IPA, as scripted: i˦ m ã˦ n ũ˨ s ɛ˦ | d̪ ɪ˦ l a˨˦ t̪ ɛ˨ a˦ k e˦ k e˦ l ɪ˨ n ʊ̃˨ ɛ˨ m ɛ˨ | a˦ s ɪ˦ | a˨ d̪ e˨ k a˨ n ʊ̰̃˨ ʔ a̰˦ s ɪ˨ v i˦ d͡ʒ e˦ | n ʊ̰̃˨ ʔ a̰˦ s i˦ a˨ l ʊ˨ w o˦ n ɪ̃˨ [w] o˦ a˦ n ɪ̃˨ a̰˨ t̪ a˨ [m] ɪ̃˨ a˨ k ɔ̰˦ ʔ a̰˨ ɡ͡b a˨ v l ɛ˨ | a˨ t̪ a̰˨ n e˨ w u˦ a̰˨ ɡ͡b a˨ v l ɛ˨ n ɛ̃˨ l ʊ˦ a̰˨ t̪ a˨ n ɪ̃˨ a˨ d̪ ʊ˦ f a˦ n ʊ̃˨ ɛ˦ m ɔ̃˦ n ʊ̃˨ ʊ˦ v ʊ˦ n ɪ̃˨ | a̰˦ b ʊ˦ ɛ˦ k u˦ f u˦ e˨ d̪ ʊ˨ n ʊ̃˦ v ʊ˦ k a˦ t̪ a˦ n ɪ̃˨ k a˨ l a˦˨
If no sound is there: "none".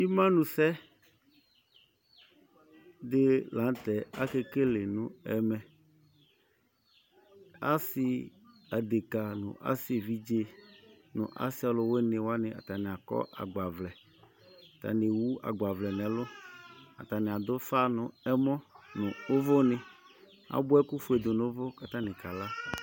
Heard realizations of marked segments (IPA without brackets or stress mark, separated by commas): w, n